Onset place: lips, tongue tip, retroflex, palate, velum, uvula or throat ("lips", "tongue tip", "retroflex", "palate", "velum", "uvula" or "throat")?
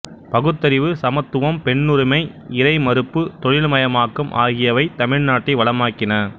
lips